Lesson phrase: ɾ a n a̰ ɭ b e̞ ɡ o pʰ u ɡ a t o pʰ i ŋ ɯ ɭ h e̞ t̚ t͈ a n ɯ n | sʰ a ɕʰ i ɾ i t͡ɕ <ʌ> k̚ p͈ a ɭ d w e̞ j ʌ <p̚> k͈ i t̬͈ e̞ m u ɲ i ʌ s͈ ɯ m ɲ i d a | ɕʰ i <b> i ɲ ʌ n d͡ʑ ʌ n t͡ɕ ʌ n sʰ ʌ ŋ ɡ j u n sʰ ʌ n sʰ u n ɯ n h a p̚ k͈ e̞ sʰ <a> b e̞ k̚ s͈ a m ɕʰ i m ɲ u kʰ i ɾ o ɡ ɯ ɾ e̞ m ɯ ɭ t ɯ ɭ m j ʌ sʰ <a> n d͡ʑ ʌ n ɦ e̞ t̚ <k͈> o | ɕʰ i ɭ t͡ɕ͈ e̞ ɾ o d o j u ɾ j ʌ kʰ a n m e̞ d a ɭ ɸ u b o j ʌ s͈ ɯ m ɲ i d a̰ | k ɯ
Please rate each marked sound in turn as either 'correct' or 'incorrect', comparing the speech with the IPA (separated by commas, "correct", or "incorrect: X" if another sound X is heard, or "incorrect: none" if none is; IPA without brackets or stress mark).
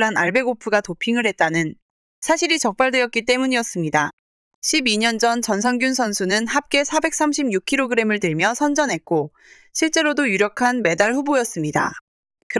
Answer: correct, incorrect: t̚, correct, correct, incorrect: ʌ, correct